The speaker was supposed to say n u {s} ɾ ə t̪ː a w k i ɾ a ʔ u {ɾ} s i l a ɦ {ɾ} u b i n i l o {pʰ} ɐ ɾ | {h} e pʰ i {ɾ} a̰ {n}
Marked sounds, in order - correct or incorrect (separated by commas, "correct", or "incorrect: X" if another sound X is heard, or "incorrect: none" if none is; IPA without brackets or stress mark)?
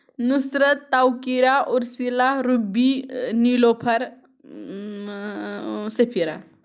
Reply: correct, correct, correct, correct, incorrect: s, correct, incorrect: none